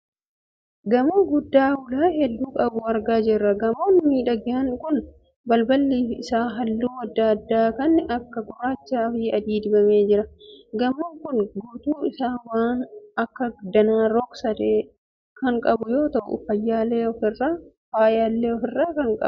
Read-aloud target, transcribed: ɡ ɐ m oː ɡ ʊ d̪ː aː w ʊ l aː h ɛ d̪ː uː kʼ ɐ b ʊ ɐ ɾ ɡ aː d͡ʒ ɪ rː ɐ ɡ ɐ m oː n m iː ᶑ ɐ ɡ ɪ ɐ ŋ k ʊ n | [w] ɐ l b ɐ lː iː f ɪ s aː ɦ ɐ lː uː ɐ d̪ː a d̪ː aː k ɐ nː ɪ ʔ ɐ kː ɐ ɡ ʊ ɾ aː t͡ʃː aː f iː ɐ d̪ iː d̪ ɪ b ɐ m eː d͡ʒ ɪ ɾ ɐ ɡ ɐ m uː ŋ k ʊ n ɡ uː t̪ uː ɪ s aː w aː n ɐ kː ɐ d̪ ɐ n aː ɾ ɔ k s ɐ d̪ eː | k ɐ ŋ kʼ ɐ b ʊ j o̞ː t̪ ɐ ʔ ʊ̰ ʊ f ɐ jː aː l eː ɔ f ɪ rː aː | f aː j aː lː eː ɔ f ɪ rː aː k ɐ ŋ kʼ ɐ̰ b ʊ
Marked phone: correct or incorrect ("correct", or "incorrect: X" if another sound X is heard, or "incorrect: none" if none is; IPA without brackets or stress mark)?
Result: incorrect: b